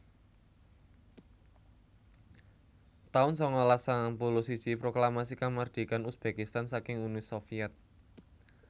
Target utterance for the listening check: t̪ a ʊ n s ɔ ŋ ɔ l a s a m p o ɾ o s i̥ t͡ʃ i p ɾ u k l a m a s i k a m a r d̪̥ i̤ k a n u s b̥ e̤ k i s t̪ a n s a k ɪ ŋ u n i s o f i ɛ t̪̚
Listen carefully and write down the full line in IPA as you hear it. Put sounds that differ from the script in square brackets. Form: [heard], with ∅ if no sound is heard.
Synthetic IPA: t̪ a ʊ n s ɔ ŋ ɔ l a s a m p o [l] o s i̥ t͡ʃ i p ɾ [o] k l a m a s i k a m a r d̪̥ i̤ k a n u s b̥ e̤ k i s t̪ a n s a k ɪ ŋ u n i s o f i ɛ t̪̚